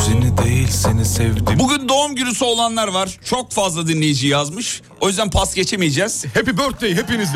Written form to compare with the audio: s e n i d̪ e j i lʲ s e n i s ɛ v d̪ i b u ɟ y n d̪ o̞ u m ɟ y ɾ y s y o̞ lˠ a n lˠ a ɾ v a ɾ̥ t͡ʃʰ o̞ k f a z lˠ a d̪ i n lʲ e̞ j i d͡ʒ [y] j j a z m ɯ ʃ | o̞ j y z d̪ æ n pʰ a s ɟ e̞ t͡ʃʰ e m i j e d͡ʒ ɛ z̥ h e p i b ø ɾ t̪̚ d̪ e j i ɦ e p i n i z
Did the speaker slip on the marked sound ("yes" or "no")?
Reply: yes